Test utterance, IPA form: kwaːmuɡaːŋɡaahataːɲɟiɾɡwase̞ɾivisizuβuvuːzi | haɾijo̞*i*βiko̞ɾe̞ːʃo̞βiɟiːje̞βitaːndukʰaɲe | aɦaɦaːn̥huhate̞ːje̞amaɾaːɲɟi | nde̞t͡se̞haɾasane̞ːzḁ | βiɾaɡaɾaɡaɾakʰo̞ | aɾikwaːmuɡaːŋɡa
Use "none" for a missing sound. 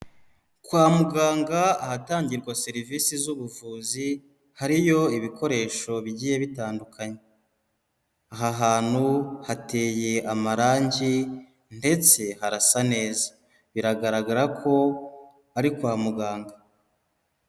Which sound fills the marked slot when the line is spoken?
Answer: i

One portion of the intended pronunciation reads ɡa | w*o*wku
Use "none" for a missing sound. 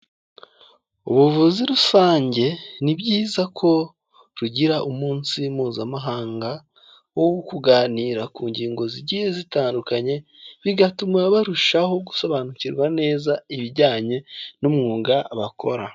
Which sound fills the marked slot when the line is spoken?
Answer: o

